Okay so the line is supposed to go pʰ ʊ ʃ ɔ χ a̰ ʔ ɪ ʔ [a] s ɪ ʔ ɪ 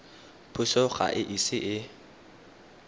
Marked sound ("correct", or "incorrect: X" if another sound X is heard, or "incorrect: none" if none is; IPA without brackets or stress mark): incorrect: i